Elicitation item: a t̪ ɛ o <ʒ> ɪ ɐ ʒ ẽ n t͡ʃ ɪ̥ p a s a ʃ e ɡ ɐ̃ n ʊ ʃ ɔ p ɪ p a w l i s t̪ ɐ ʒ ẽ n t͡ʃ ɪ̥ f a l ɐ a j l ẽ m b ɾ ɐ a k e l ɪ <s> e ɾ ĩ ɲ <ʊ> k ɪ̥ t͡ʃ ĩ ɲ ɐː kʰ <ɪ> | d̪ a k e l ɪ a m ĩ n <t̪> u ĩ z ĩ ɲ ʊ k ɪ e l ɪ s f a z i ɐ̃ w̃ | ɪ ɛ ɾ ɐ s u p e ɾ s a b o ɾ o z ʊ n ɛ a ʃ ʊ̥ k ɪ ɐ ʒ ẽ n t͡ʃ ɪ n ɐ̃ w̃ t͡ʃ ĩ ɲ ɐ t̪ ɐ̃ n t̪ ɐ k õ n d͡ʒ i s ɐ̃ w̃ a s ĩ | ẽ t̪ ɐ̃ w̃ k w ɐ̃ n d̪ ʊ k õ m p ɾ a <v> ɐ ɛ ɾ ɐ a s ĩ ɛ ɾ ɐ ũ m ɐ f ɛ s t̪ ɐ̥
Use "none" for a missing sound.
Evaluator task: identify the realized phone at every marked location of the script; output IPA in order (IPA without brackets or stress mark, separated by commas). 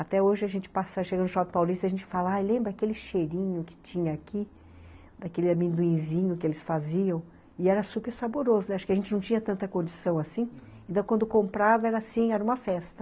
ʒ, ʃ, ʊ, i, d̪, v